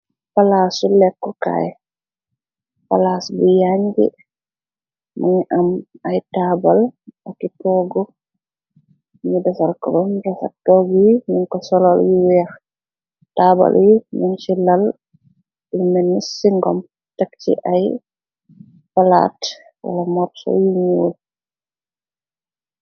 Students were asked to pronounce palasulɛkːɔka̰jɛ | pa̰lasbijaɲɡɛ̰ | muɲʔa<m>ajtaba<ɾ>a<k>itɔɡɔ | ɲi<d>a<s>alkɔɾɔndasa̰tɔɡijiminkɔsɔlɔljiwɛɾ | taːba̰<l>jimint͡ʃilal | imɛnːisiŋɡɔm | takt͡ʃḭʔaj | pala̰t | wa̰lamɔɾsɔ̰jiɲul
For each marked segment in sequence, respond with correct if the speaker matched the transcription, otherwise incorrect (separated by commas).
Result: correct, incorrect, correct, correct, correct, correct